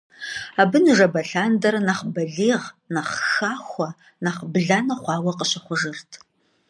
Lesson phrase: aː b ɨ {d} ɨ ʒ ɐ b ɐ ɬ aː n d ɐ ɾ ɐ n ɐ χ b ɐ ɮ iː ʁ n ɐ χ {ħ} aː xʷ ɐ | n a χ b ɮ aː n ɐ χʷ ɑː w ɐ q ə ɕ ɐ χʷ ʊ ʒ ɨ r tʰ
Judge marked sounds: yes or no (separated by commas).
no, no